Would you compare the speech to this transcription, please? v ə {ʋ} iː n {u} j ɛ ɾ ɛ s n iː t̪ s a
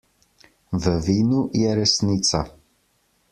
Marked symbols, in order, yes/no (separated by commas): no, yes